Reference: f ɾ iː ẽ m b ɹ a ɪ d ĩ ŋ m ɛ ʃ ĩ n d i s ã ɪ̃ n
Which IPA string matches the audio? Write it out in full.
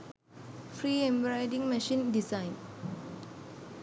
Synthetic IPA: f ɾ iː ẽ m b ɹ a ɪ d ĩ ŋ m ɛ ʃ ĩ n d i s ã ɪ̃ n